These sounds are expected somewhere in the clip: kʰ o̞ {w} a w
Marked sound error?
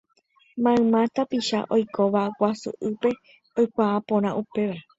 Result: yes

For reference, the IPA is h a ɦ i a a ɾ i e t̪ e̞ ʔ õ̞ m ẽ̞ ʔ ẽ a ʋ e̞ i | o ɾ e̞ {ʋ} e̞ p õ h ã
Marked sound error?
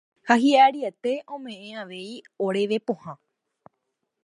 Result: no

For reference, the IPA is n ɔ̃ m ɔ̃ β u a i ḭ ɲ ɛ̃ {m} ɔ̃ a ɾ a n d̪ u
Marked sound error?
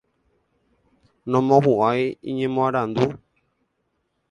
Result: no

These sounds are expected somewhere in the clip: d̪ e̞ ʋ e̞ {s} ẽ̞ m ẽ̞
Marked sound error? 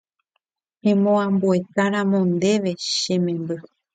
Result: yes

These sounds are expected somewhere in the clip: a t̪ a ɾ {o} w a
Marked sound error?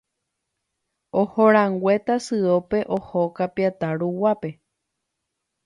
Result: yes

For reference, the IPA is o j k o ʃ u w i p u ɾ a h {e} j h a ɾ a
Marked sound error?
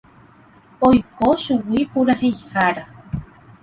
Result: no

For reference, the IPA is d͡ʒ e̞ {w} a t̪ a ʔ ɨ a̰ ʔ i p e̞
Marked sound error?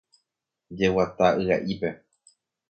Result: no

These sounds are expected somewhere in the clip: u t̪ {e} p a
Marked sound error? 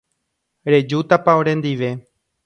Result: yes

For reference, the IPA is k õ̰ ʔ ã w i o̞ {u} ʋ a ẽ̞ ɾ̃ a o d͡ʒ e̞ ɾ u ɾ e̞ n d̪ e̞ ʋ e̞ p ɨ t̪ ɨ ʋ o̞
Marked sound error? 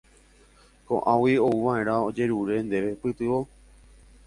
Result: no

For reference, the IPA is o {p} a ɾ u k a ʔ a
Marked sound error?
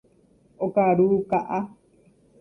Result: yes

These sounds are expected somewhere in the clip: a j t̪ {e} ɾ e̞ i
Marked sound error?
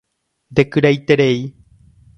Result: no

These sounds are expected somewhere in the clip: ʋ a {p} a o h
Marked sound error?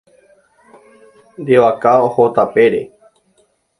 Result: yes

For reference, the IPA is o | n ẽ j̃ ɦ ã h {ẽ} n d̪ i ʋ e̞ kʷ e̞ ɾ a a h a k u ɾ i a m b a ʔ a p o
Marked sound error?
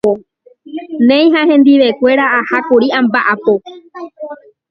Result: no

